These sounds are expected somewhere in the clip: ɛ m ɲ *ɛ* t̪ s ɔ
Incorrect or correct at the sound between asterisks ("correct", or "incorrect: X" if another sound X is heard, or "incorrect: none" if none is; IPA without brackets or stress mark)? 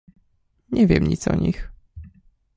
incorrect: i